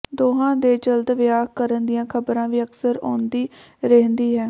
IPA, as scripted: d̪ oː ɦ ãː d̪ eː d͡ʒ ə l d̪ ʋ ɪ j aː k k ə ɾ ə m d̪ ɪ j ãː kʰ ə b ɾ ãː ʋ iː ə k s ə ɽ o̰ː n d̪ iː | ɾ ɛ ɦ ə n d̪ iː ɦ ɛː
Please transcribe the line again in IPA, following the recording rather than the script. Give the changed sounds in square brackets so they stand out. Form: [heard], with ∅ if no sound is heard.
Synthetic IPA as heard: d̪ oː ɦ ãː d̪ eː d͡ʒ ə l d̪ ʋ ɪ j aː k k ə ɾ ə [n] d̪ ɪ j ãː kʰ ə b ɾ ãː ʋ iː ə k s ə [ɾ] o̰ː n d̪ iː | ɾ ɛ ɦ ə n d̪ iː ɦ ɛː